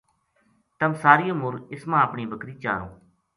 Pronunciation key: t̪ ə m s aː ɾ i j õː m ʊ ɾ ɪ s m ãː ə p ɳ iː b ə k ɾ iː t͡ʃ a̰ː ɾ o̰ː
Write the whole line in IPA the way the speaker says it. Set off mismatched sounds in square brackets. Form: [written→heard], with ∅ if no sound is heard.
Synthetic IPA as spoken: t̪ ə m s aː ɾ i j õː m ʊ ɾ ɪ s m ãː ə p ɳ iː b ə k ɾ iː t͡ʃ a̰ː ɾ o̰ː